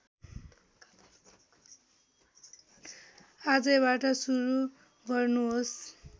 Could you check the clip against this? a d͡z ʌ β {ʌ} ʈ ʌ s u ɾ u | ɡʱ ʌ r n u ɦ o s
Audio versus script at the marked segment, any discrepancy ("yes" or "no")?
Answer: yes